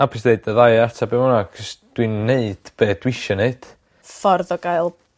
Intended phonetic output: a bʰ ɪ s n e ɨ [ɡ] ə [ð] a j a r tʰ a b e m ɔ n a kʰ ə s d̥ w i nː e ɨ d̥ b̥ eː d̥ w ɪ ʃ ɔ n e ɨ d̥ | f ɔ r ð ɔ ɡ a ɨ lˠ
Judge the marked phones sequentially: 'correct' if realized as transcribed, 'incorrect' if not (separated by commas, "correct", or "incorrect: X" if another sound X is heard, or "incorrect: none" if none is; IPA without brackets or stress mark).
incorrect: d, correct